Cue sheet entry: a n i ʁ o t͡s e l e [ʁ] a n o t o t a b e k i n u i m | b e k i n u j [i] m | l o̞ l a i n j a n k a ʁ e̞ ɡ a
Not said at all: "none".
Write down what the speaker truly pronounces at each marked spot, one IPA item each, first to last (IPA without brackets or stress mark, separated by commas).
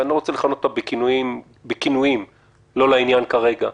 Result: χ, i